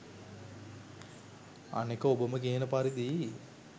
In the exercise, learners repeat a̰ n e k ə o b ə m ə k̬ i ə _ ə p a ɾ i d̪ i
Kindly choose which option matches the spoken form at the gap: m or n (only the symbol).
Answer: n